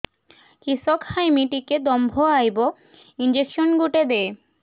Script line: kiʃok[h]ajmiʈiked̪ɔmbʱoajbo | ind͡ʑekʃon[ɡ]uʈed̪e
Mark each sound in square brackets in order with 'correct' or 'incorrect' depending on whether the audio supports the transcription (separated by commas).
correct, correct